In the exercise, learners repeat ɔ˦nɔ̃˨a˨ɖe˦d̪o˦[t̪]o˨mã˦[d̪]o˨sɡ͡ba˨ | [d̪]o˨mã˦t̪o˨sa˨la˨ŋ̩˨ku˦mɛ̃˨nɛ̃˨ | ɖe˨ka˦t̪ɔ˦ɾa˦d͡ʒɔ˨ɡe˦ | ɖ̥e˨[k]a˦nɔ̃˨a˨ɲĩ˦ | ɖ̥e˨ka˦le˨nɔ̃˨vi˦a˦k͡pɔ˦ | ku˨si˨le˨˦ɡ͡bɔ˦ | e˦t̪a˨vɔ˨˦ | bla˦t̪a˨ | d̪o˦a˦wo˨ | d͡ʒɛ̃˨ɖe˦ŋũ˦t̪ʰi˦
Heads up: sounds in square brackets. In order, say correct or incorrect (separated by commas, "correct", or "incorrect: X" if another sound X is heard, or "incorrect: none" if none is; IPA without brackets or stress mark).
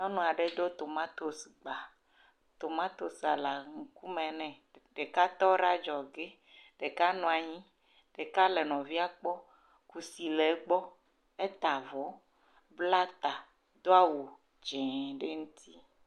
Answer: correct, incorrect: t̪, incorrect: t̪, correct